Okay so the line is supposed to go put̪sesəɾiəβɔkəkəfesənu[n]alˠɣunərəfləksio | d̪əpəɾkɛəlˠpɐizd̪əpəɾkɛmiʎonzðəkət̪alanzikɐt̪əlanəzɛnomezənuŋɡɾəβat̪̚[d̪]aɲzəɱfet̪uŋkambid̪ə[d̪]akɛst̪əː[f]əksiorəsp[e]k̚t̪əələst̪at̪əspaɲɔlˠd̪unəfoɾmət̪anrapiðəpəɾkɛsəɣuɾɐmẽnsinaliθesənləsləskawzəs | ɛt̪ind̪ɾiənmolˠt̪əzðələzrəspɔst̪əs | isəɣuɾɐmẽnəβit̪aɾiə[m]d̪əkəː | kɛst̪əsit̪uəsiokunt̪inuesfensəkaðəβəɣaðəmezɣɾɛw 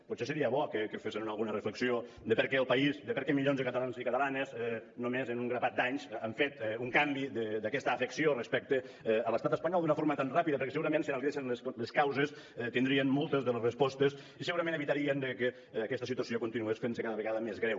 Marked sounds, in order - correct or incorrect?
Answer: correct, correct, correct, correct, incorrect: ɛ, incorrect: n

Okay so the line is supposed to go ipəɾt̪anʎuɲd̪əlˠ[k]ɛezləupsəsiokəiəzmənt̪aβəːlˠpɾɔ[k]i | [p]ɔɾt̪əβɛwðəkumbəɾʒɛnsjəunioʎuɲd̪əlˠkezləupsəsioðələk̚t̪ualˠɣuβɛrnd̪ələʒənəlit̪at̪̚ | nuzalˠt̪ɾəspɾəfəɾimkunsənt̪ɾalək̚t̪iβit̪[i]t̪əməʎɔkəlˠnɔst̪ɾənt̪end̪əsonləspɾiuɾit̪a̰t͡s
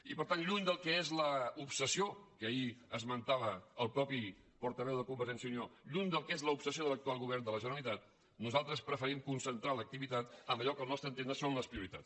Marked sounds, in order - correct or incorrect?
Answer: correct, incorrect: p, correct, incorrect: a

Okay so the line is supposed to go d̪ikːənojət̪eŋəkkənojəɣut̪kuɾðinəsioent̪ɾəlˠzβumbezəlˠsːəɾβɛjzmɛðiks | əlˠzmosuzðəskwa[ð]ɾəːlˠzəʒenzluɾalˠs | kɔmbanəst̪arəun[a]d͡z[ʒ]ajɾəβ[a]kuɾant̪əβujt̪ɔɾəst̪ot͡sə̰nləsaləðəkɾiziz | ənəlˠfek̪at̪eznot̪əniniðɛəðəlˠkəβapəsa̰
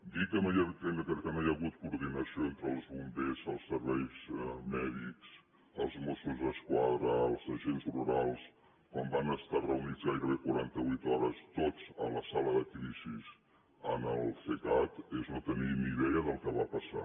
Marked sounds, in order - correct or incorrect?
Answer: correct, incorrect: i, incorrect: ɣ, incorrect: e

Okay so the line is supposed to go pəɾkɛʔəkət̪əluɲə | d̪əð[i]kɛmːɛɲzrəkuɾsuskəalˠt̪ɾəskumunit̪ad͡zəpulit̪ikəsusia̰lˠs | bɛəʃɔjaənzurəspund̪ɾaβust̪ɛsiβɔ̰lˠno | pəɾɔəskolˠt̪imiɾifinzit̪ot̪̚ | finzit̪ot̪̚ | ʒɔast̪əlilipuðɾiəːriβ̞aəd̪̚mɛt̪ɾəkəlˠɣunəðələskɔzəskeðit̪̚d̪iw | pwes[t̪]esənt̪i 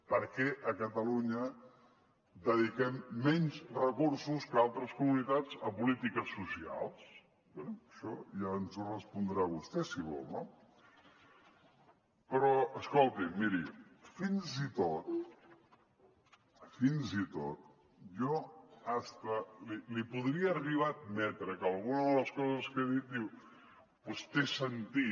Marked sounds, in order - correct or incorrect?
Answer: correct, correct

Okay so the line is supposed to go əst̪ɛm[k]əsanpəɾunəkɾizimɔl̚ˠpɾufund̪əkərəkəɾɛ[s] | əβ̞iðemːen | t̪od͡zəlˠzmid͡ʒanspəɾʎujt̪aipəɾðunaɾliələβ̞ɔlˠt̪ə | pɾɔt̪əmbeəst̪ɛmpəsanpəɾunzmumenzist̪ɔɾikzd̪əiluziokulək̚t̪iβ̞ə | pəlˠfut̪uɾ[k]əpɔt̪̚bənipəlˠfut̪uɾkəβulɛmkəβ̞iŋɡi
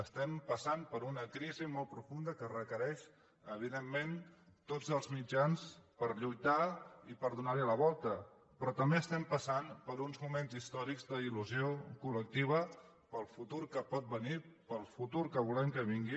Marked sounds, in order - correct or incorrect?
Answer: incorrect: p, incorrect: ʃ, correct

